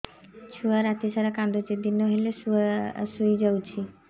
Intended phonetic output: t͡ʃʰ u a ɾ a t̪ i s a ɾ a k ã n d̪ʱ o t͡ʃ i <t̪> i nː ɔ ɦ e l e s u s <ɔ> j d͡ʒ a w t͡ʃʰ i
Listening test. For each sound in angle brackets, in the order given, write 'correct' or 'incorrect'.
incorrect: d̪, incorrect: u

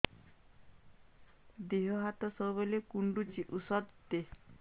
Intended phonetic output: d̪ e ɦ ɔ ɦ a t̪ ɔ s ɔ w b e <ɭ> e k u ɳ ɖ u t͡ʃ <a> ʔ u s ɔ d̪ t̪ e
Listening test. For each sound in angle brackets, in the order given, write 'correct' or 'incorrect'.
incorrect: l, incorrect: i

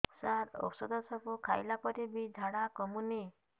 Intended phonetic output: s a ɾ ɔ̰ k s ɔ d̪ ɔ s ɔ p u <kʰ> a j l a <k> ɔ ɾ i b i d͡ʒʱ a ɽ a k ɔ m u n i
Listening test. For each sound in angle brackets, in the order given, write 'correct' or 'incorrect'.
correct, incorrect: p

